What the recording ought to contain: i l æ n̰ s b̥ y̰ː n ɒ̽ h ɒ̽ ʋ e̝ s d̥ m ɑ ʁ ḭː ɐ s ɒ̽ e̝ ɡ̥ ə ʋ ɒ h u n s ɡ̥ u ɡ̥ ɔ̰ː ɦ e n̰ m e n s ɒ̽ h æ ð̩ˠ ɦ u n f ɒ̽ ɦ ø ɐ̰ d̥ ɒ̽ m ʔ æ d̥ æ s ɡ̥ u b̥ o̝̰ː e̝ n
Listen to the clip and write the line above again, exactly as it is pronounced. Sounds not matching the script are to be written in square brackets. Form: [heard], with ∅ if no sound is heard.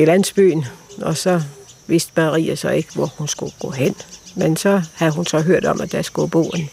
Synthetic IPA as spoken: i l æ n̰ s b̥ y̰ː n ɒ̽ [s] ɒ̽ ʋ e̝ s d̥ m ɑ ʁ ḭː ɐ s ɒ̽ e̝ ɡ̥ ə ʋ ɒ h u n s ɡ̥ u ɡ̥ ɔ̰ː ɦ e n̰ m e n s ɒ̽ h æ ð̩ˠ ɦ u n [s] ɒ̽ ɦ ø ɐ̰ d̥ ɒ̽ m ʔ æ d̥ æ s ɡ̥ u b̥ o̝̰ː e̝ n